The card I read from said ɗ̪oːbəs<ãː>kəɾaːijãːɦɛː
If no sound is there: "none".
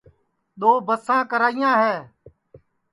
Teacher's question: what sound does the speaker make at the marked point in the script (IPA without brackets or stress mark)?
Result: ãː